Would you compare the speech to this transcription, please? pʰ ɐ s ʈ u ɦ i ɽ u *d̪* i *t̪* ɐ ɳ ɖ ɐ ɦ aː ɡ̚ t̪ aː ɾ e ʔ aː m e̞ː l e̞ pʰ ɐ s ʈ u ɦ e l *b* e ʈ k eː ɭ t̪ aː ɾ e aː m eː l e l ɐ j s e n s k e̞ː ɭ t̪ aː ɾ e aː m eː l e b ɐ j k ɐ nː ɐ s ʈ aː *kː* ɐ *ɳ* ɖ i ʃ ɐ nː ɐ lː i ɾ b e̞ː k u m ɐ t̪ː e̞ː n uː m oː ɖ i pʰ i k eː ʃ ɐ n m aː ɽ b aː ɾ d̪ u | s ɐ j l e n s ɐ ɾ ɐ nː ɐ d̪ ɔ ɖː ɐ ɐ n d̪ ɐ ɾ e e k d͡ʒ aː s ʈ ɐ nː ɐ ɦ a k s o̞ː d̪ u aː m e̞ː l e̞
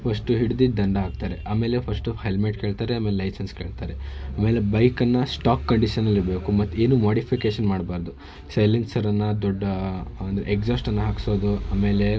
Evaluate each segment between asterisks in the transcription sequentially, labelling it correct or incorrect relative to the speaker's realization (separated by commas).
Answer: correct, incorrect, incorrect, correct, correct